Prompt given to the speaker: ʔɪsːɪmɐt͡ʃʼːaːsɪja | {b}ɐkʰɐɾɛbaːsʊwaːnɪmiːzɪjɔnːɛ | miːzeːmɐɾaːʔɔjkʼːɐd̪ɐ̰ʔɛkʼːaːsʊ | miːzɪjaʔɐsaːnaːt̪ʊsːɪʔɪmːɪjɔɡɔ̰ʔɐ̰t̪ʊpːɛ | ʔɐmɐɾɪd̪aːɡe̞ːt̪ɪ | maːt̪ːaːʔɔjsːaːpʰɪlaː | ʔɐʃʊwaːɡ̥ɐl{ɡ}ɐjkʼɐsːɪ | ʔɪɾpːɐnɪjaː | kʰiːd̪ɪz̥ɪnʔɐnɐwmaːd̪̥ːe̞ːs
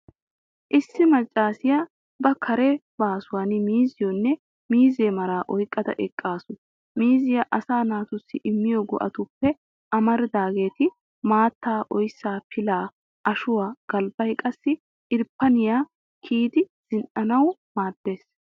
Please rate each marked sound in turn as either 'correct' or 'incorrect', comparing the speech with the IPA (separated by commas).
correct, incorrect